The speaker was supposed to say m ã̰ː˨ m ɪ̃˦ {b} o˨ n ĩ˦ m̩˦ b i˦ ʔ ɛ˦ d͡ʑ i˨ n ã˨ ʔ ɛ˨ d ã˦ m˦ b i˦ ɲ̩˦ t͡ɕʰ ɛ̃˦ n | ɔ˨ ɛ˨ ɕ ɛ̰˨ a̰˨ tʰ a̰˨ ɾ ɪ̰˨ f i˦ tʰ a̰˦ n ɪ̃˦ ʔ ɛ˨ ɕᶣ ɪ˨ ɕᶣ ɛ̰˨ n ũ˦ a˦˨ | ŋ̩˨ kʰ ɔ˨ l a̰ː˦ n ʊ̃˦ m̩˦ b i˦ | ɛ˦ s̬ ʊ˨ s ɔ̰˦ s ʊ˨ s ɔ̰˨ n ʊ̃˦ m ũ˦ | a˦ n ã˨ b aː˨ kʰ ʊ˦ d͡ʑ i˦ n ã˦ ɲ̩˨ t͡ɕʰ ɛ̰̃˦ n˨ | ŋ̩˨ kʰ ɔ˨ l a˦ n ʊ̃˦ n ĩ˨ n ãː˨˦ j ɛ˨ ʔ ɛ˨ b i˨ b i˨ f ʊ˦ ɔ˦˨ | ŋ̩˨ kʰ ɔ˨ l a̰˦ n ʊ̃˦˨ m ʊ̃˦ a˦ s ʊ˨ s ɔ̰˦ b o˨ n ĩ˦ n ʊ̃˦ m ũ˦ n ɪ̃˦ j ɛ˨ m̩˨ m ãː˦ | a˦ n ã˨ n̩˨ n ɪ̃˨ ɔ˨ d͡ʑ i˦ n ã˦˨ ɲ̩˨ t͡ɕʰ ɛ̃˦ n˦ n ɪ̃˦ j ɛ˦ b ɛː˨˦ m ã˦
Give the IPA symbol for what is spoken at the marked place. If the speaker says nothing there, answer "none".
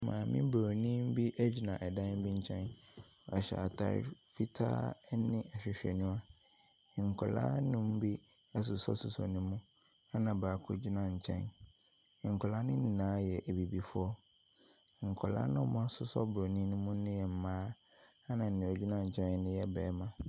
b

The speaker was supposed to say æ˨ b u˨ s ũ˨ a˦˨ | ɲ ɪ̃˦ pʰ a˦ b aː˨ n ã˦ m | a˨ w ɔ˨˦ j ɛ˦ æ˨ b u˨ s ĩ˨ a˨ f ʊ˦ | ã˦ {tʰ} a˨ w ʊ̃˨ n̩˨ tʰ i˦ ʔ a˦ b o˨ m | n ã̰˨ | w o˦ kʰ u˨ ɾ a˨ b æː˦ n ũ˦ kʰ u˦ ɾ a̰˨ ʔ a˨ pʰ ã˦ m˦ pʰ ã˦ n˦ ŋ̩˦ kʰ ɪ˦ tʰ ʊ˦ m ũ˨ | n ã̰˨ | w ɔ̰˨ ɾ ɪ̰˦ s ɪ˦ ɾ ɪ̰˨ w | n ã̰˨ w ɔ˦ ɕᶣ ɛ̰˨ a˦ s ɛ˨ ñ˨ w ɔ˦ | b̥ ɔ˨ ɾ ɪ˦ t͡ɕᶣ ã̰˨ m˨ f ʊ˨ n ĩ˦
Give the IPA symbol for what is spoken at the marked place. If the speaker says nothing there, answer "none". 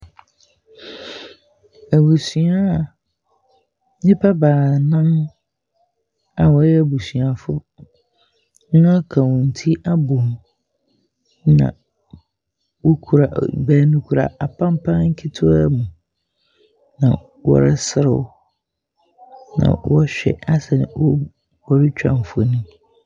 kʰ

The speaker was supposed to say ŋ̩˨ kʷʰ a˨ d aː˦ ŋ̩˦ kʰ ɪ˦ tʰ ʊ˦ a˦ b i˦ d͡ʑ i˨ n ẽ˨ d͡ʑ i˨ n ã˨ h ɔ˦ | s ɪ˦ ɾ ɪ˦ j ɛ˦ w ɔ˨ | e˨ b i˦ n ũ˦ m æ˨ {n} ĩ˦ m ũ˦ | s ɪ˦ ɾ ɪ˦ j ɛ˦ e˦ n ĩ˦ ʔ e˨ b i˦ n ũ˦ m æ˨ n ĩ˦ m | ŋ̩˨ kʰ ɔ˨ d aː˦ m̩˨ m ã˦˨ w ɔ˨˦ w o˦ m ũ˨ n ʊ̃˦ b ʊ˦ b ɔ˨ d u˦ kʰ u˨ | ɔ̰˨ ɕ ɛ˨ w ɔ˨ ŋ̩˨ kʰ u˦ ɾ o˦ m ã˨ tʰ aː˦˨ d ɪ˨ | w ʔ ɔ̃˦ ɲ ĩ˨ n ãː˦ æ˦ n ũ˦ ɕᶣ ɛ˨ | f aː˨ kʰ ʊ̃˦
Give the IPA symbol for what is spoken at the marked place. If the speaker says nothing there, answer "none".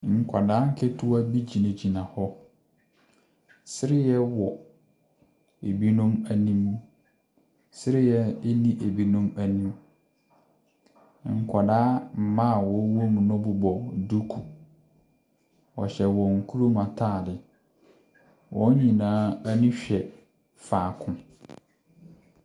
n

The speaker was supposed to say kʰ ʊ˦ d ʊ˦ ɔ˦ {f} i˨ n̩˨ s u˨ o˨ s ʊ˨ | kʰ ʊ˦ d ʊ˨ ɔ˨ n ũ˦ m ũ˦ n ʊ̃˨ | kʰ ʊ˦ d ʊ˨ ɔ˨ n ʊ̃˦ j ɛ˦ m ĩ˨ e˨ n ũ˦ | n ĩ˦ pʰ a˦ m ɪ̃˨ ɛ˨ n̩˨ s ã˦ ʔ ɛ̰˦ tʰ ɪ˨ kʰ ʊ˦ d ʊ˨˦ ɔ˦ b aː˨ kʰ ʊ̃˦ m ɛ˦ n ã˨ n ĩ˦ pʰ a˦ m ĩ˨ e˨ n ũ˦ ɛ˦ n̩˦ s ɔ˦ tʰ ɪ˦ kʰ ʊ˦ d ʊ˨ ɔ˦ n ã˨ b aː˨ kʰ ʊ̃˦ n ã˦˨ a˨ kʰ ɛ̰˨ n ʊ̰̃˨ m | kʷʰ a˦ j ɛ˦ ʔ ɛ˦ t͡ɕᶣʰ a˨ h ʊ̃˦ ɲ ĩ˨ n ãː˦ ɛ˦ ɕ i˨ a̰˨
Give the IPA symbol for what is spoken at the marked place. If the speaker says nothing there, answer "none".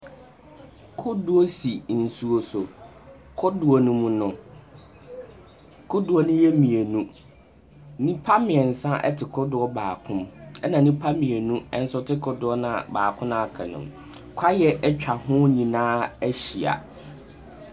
s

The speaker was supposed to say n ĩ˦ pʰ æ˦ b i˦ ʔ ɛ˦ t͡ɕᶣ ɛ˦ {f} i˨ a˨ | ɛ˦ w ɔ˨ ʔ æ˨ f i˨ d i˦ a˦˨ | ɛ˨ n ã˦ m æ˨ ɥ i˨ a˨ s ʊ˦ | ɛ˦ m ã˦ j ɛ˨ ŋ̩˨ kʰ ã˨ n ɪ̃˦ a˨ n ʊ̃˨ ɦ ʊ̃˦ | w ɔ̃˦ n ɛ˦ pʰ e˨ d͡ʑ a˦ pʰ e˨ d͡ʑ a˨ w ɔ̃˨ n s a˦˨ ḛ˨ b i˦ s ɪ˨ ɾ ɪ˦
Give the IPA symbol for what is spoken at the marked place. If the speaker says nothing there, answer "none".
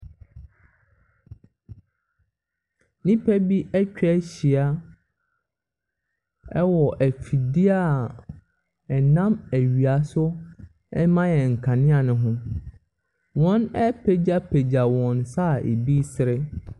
ɕ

